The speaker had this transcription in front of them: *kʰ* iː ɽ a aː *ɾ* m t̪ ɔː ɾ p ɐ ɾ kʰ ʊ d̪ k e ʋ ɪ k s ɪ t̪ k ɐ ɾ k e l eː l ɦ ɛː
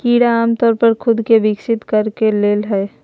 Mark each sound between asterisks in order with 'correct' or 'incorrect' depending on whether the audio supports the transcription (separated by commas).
incorrect, incorrect